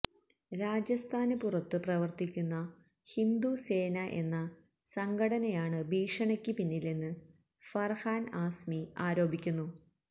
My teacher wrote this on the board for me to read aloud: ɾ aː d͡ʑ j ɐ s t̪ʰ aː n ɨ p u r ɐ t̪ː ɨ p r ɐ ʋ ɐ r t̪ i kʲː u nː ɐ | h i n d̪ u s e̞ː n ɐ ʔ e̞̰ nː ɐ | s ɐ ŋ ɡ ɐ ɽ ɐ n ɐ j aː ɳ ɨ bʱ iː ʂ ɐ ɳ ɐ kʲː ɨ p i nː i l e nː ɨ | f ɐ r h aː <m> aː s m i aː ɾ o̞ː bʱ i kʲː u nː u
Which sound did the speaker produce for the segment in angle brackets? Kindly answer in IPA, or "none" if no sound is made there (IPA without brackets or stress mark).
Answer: n